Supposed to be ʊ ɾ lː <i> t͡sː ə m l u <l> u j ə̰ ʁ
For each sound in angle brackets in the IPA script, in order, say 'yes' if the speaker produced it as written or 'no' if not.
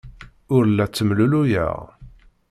no, yes

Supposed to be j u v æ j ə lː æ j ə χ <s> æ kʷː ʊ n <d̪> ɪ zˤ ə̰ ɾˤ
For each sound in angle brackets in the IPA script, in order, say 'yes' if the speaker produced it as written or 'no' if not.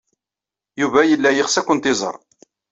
yes, no

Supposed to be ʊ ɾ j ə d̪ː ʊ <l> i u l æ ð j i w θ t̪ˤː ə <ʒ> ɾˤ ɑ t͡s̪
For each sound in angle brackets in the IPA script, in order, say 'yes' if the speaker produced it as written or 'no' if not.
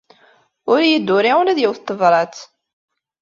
no, no

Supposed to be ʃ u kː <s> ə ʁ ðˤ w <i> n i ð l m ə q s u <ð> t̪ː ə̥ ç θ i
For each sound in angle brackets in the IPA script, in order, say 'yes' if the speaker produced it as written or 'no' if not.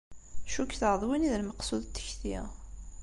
no, yes, yes

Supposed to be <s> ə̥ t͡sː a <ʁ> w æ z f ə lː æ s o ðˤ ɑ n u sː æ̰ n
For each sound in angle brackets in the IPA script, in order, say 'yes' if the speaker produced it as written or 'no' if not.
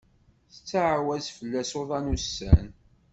no, no

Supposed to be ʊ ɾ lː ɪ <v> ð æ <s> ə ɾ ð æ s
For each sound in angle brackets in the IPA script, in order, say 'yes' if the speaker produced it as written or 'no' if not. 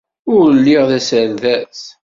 no, yes

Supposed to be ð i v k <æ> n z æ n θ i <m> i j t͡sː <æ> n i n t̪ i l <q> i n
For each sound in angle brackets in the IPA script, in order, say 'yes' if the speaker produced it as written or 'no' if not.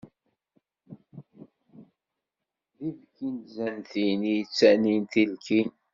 no, no, yes, no

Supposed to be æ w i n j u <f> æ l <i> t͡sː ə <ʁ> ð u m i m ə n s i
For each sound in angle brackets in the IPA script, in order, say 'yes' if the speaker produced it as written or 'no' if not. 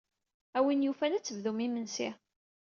yes, no, no

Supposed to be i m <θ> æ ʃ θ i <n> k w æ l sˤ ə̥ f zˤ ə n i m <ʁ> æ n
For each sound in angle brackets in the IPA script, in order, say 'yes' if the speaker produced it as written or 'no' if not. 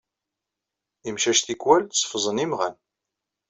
no, no, yes

